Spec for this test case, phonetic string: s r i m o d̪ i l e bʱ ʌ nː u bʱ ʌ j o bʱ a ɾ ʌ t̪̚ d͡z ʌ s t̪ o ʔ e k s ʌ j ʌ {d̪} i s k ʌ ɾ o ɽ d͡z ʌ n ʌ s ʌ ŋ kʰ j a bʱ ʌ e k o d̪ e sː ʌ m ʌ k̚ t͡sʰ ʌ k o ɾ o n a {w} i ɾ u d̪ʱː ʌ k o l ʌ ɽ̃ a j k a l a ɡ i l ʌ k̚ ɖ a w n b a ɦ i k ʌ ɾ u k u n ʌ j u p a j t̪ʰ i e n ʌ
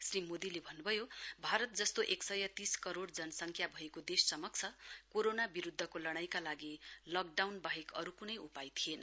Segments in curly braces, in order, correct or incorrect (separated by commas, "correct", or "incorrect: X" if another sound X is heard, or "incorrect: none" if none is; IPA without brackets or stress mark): incorrect: t̪, incorrect: b